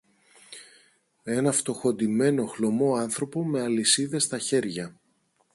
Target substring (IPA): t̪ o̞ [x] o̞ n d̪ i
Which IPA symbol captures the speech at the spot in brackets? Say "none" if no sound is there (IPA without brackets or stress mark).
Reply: x